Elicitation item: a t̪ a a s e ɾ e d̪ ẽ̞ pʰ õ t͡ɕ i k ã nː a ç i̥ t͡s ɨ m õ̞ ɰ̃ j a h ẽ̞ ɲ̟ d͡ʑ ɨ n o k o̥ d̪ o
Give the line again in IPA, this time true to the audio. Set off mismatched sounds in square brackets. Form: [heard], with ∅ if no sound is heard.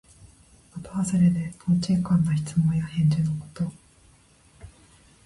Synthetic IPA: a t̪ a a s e ɾ e d̪ [e̞] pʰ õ t͡ɕ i k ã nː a ç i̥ t͡s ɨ m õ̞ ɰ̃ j a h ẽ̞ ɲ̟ d͡ʑ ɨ n o k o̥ [t̪] o

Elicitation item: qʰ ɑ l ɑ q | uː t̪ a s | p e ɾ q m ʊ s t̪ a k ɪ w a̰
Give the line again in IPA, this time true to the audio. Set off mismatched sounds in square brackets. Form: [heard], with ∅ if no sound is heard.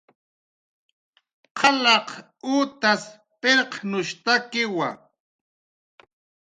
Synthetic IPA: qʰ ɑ l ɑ q | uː t̪ a s | p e ɾ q [n] ʊ [ʃ] t̪ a k ɪ w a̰

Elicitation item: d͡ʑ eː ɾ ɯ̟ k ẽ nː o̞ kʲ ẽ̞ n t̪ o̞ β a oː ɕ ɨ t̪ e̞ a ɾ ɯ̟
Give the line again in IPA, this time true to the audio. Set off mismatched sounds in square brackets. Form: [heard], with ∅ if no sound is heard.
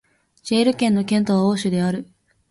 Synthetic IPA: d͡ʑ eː ɾ ɯ̟ k ẽ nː o̞ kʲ ẽ̞ n t̪ o̞ β a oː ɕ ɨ [d̪] e̞ a ɾ ɯ̟

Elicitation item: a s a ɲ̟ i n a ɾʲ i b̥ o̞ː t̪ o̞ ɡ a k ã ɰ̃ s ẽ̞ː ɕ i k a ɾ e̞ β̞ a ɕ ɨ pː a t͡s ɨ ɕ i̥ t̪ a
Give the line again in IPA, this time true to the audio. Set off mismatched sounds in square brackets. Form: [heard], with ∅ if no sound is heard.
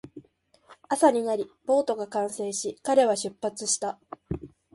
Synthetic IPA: a s a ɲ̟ i n a ɾʲ i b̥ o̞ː t̪ o̞ ɡ a k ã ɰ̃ s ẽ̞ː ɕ i k a ɾ e̞ β̞ a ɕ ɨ pː a t͡s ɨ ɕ i̥ t̪ a

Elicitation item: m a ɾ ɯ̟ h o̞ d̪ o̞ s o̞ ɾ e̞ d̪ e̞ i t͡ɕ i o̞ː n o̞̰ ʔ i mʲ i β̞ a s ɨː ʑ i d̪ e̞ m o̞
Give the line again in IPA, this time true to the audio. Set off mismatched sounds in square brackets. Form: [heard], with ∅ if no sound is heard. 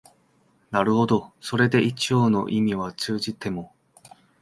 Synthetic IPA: [n] a ɾ ɯ̟ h o̞ d̪ o̞ s o̞ ɾ e̞ d̪ e̞ i t͡ɕ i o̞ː n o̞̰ ʔ i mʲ i β̞ a [t͡s] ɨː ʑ i [t̪] e̞ m o̞

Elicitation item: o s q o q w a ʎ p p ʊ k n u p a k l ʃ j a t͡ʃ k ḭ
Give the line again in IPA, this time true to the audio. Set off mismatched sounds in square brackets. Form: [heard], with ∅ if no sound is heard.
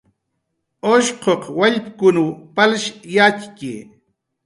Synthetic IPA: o [ʃ] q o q w a ʎ p [k] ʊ [∅] n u p a [∅] l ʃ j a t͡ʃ k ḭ

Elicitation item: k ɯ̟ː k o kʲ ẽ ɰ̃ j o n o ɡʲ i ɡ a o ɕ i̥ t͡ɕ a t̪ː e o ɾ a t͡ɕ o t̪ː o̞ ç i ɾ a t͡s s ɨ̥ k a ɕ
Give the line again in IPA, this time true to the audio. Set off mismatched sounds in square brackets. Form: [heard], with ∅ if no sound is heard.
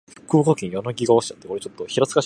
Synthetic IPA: k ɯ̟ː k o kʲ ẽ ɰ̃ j o n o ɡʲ i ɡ a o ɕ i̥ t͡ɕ a t̪ː e o ɾ [e] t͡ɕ o t̪ː o̞ ç i ɾ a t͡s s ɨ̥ k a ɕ

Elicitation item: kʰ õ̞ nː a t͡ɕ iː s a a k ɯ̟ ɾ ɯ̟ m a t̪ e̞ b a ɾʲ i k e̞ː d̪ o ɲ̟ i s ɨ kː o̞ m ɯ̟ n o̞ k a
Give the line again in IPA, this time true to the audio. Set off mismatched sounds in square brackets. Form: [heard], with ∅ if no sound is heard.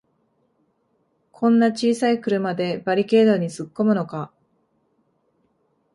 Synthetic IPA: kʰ õ̞ nː a t͡ɕ iː s a [i] k ɯ̟ ɾ ɯ̟ m a [d̪] e̞ b a ɾʲ i k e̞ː d̪ o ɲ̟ i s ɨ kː o̞ m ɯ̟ n o̞ k a

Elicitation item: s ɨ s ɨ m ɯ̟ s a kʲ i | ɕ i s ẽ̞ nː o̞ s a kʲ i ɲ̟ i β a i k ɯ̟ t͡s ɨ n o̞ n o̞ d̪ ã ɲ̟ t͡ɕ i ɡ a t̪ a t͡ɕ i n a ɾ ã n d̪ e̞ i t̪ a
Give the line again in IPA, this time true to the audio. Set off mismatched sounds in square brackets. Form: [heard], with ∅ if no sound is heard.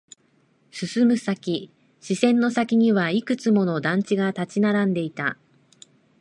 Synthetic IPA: s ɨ s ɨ m ɯ̟ s a kʲ i | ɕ i s ẽ̞ nː o̞ s a kʲ i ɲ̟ i β a i k ɯ̟ t͡s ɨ [m] o̞ n o̞ d̪ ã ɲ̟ t͡ɕ i ɡ a t̪ a t͡ɕ i n a ɾ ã n d̪ e̞ i t̪ a

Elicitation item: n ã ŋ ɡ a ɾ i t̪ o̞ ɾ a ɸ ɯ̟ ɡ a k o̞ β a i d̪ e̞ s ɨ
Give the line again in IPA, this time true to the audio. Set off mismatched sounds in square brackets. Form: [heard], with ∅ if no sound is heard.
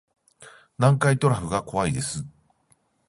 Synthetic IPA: n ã ŋ [k] a [∅] i t̪ o̞ ɾ a ɸ ɯ̟ ɡ a k o̞ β a i d̪ e̞ s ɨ

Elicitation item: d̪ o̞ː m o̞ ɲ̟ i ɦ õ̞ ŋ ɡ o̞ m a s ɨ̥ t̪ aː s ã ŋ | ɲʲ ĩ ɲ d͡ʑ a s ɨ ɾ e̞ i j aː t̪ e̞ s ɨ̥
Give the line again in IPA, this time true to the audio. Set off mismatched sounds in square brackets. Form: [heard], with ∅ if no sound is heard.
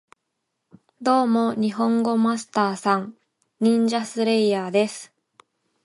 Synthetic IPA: d̪ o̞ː m o̞ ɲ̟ i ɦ õ̞ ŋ ɡ o̞ m a s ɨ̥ t̪ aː s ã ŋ | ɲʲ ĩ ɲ d͡ʑ a s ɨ ɾ e̞ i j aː [d̪] e̞ s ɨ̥

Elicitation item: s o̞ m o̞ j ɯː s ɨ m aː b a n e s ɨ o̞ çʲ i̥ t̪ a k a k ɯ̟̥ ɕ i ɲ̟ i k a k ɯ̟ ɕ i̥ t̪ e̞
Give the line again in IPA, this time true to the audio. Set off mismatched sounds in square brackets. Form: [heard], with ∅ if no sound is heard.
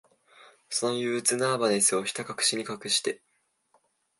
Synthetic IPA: s o̞ [n] o̞ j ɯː [t͡s] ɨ [n] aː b a n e s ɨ o̞ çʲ i̥ t̪ a k a k ɯ̟̥ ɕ i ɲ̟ i k a k ɯ̟ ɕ i̥ t̪ e̞

